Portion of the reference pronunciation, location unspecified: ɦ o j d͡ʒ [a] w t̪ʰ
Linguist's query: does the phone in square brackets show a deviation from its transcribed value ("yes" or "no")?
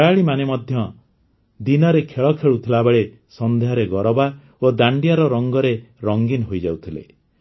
no